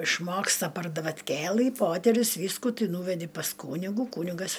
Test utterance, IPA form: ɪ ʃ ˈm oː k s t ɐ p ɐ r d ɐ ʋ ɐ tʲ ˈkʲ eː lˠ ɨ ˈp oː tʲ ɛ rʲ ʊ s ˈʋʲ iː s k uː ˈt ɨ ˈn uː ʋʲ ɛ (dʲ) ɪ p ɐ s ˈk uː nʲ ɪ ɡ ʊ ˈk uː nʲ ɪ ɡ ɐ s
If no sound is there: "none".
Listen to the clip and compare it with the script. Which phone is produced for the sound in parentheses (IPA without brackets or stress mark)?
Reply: dʲ